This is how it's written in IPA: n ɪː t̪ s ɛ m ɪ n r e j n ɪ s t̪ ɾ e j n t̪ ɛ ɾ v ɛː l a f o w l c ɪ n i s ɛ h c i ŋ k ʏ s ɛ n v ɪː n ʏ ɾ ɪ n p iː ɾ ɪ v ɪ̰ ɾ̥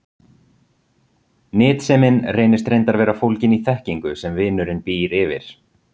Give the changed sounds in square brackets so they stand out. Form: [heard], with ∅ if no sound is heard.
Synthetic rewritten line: n ɪː t̪ s ɛ m ɪ n r e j n ɪ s t̪ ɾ e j n t̪ [a] ɾ v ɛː [ɾ] a f o w l c ɪ n i [θ] ɛ h c i ŋ k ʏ s ɛ [m] v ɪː n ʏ ɾ ɪ n p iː ɾ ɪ v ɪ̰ ɾ̥